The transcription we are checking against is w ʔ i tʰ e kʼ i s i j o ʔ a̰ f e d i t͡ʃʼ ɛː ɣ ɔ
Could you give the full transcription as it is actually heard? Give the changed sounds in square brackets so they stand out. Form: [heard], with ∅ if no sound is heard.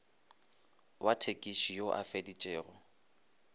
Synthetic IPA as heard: w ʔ [a] tʰ e kʼ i [ʃ] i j o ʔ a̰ f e d i t͡ʃʼ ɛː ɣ ɔ